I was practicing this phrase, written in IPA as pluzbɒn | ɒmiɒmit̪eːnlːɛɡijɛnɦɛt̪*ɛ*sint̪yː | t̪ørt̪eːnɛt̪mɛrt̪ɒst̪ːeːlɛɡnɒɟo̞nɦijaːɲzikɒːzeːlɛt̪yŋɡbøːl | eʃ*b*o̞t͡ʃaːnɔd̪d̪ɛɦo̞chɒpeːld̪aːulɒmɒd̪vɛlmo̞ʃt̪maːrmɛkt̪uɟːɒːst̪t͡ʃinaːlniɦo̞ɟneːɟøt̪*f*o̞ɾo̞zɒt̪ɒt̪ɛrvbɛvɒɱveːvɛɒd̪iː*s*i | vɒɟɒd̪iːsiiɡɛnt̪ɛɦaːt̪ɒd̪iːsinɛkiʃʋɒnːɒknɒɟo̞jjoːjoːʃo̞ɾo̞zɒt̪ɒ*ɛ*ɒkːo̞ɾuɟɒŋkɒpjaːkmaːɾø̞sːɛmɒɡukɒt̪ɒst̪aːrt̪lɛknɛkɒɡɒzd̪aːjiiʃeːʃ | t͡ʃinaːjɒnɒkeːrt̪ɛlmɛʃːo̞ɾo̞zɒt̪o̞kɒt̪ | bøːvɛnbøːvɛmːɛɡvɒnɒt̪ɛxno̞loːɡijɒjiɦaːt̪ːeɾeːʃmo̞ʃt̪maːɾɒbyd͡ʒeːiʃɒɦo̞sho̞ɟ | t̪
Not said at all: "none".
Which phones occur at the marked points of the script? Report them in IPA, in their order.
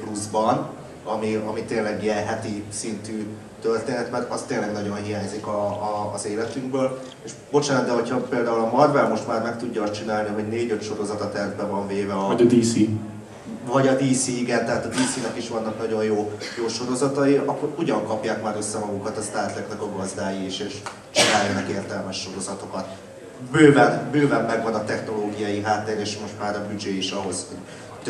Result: i, b, ʃ, s, i

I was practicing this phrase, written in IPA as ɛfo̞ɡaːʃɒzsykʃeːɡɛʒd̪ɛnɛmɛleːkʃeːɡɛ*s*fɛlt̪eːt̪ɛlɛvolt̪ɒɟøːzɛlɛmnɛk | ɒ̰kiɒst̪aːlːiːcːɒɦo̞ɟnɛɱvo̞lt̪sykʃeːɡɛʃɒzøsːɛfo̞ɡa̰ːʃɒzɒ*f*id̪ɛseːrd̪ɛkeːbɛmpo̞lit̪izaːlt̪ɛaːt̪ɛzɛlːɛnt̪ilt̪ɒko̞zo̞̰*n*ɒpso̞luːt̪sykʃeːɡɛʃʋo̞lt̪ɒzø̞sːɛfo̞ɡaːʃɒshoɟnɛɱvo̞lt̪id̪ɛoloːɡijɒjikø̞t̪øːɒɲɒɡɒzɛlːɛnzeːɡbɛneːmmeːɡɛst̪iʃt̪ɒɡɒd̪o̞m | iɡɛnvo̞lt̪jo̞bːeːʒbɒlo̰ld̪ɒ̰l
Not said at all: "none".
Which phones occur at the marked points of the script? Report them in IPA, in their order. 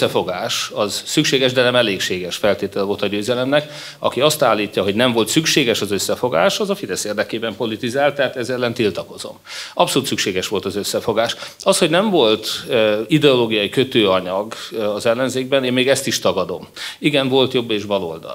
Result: ʃ, f, m

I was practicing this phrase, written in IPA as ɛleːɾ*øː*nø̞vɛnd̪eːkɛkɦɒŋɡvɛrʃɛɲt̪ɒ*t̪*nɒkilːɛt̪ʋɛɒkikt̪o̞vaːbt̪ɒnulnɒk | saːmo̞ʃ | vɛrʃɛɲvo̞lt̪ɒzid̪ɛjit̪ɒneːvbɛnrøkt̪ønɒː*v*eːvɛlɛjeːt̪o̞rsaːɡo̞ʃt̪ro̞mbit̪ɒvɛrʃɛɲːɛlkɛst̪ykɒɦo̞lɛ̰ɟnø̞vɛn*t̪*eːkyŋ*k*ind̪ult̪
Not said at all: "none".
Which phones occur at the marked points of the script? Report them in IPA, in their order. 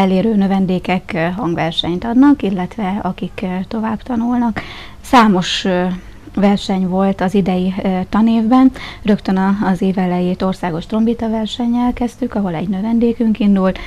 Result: øː, d̪, z, d̪, k

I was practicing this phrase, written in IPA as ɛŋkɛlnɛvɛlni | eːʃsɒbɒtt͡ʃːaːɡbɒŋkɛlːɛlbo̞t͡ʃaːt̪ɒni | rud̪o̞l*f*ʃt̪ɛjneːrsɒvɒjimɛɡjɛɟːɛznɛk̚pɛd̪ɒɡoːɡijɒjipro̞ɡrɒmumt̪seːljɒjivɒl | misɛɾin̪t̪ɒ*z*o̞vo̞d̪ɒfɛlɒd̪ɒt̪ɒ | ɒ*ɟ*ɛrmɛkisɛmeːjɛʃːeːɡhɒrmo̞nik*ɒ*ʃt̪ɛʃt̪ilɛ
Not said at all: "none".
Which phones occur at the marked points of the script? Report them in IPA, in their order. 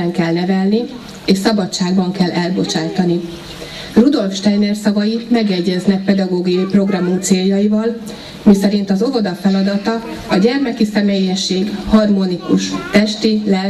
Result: f, z, ɟ, u

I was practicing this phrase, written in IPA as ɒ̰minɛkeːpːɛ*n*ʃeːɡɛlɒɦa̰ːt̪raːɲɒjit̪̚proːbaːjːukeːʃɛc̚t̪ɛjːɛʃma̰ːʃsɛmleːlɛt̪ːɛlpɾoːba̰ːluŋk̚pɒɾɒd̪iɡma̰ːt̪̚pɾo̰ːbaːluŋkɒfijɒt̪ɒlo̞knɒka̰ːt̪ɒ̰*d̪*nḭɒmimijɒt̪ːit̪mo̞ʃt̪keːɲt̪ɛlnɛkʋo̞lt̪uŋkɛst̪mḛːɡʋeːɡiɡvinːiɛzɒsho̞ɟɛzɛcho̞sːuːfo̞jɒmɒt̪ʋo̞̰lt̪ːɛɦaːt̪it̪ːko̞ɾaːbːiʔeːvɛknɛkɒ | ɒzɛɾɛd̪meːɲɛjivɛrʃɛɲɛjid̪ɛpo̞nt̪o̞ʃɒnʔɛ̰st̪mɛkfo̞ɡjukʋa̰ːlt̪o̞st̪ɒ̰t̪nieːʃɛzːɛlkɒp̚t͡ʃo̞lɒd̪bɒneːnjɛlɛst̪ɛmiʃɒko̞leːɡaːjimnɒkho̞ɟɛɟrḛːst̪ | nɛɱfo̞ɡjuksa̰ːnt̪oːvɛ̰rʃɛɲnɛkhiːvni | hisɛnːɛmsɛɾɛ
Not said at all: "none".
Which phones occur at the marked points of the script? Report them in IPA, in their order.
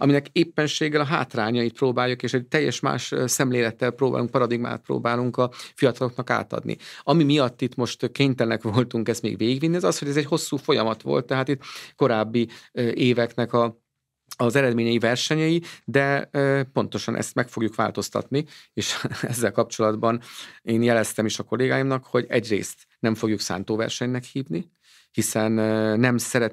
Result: n, d̪

